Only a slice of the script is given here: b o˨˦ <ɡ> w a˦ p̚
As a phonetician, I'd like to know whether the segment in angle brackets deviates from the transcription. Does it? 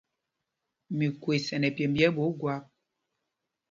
no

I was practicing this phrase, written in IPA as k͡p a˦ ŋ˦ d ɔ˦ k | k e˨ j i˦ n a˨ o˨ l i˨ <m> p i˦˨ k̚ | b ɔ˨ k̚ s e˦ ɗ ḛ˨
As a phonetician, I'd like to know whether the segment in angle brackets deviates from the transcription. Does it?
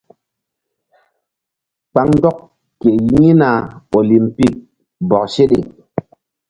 no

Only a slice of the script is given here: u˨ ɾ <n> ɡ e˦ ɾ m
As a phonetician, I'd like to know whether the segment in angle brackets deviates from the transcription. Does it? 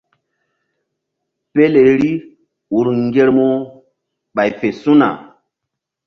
yes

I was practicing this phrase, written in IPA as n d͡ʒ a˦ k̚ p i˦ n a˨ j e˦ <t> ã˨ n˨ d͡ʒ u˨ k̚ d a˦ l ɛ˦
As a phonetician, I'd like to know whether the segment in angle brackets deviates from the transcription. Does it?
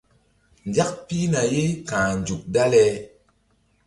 yes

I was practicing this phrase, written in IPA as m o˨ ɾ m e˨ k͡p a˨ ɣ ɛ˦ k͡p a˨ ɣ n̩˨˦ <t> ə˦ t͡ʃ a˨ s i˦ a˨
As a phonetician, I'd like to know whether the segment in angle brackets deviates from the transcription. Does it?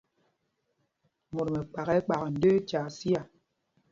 yes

